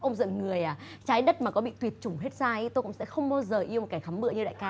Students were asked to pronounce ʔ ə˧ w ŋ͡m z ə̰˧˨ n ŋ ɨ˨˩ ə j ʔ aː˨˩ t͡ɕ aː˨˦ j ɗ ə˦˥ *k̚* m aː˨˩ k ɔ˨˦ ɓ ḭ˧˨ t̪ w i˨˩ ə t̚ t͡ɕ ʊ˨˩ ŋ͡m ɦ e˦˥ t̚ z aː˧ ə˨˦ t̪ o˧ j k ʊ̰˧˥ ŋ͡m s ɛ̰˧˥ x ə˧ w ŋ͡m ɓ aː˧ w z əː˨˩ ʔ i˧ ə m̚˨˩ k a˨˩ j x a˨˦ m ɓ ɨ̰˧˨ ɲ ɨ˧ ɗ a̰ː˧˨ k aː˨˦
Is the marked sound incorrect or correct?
incorrect